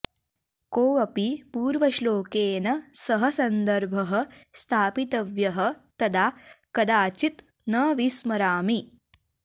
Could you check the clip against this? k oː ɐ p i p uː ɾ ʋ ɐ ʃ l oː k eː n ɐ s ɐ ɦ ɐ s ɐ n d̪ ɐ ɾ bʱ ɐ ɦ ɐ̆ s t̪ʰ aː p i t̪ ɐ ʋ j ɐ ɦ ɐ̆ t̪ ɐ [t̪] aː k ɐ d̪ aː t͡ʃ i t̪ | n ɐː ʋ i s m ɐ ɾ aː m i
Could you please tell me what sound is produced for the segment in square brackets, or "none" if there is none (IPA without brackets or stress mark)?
d̪